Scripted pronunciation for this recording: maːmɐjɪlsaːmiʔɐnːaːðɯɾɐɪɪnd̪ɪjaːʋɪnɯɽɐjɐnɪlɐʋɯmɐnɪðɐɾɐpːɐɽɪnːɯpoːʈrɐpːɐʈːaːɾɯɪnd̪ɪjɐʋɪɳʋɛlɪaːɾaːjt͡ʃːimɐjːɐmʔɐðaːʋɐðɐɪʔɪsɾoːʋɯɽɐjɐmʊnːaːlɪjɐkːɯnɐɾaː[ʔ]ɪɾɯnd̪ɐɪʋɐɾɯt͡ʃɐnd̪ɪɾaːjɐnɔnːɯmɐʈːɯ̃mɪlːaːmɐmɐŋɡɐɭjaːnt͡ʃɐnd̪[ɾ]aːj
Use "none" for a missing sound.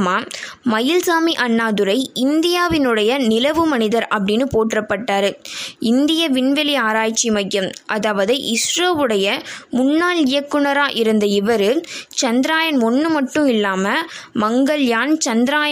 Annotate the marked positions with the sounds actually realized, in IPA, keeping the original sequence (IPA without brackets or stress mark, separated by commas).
ʔ, ɾ